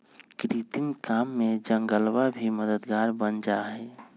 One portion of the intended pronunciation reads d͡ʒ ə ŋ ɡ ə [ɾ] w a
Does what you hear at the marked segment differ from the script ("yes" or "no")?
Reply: yes